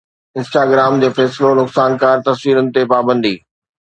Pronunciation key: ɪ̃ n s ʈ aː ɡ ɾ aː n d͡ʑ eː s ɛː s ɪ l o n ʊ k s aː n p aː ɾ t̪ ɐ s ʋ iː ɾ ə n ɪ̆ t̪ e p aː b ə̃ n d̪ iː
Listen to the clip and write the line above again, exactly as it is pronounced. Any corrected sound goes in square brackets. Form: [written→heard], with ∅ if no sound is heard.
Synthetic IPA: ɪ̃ n s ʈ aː ɡ ɾ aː [n→m] d͡ʑ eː [s→f] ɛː s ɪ l o n ʊ k s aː n [p→k] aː ɾ t̪ ɐ s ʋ iː ɾ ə n ɪ̆ t̪ e p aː b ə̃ n d̪ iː